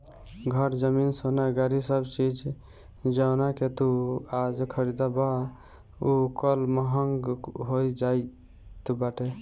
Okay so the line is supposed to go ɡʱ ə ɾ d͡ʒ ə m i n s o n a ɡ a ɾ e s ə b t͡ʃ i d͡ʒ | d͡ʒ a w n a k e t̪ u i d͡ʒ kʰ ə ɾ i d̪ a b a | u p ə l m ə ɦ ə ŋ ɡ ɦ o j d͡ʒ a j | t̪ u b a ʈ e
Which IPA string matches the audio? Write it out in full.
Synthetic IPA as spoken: ɡʱ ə ɾ d͡ʒ ə m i n s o n a ɡ a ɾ i s ə b t͡ʃ i d͡ʒ | d͡ʒ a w n a k e t̪ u a d͡ʒ kʰ ə ɾ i d̪ a b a | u k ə l m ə ɦ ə ŋ ɡ ɦ o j d͡ʒ a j | t̪ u b a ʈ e